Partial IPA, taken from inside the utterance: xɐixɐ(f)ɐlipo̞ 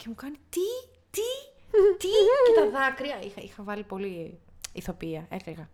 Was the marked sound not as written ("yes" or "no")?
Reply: yes